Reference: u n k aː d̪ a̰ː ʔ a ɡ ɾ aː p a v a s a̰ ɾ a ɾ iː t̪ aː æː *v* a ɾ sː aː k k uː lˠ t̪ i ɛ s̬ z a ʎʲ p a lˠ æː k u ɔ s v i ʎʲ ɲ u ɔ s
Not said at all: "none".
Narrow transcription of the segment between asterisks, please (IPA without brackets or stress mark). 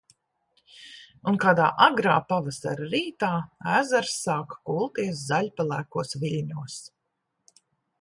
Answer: z